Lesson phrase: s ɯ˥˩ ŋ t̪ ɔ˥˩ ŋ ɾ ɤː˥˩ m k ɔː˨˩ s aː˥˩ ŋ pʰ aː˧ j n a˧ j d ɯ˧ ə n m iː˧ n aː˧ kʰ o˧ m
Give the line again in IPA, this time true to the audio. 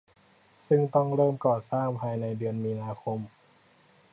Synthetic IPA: s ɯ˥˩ ŋ t̪ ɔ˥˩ ŋ ɾ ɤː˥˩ m k ɔː˨˩ s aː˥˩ ŋ pʰ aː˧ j n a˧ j d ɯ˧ ə n m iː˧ n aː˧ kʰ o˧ m